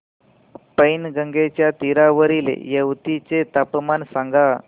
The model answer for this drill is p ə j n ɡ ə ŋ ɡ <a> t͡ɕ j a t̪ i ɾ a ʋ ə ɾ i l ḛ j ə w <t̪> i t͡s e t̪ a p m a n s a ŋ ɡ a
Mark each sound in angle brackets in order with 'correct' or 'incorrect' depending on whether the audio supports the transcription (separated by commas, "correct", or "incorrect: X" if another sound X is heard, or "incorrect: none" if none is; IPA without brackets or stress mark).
incorrect: e, correct